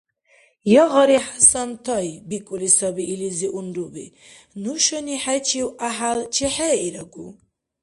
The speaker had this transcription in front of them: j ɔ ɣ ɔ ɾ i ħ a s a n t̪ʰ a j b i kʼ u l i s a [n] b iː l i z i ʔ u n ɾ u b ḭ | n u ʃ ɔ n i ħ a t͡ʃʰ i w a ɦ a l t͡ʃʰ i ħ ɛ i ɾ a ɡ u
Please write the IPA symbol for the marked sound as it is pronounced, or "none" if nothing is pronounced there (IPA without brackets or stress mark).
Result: none